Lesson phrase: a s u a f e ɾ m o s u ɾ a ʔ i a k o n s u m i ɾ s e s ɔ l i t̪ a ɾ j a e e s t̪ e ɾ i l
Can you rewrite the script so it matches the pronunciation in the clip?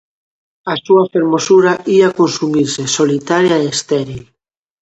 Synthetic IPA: a s u a f e ɾ m o s u ɾ a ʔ i a k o n s u m i ɾ s e s o l i t̪ a ɾ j a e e s t̪ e ɾ i l